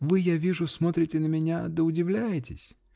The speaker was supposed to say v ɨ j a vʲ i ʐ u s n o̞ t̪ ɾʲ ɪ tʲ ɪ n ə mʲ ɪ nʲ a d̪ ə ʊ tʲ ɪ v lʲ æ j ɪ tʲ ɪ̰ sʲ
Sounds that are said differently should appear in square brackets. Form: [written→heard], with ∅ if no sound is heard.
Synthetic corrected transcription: v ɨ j a vʲ i ʐ [u→ʊ] s [n→m] o̞ t̪ ɾʲ ɪ tʲ ɪ n ə mʲ ɪ nʲ a d̪ ə ʊ [tʲ→dʲ] ɪ v lʲ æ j ɪ tʲ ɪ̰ sʲ